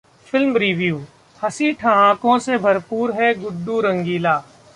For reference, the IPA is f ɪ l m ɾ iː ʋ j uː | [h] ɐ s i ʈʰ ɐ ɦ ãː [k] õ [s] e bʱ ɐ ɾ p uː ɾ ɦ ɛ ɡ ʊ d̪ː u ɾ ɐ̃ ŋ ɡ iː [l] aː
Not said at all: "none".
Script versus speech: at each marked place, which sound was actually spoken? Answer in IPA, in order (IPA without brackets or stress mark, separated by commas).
h, k, s, l